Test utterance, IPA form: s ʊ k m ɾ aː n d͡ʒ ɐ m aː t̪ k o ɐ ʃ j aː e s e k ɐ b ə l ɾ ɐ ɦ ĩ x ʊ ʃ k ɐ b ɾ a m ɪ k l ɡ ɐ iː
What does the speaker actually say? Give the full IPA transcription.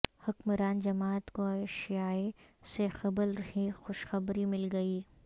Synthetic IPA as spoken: h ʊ k m ɾ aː n d͡ʒ ɐ m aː t̪ k o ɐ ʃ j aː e s e x ɐ b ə l ɾ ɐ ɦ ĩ x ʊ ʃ x ɐ b ɾ i m ɪ l ɡ ɐ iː